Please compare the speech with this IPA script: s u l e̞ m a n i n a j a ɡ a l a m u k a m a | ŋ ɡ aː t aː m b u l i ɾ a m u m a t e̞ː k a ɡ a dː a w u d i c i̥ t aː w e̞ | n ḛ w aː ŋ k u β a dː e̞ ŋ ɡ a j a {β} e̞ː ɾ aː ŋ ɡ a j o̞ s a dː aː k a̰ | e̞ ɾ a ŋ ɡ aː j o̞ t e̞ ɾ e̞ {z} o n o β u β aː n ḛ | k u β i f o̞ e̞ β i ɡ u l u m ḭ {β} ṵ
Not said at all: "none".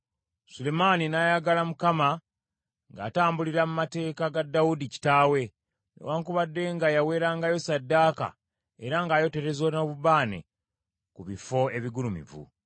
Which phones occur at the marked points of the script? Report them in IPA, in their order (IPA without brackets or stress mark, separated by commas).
w, z, v